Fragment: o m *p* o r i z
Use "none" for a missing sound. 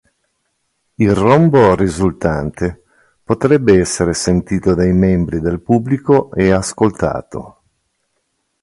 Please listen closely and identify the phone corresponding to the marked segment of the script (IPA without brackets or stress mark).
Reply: b